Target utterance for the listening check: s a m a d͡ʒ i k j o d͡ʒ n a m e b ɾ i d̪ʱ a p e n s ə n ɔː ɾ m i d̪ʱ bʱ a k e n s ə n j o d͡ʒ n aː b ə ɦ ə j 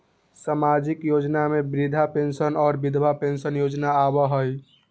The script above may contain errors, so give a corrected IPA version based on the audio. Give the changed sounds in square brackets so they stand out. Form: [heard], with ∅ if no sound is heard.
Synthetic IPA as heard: s a m a d͡ʒ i k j o d͡ʒ n a m e b ɾ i d̪ʱ a p e n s ə n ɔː ɾ [b] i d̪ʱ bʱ a [p] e n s ə n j o d͡ʒ n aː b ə ɦ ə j